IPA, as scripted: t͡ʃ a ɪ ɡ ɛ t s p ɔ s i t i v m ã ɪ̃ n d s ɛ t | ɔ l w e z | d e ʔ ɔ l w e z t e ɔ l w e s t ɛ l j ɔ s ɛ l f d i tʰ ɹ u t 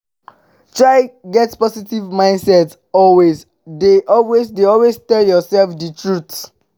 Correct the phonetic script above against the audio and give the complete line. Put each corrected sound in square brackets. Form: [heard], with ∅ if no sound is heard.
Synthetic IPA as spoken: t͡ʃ a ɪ ɡ ɛ t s p ɔ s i t i v m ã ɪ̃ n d s ɛ t | ɔ l w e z | d e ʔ ɔ l w e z [d] e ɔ l w e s t ɛ l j ɔ s ɛ l f d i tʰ ɹ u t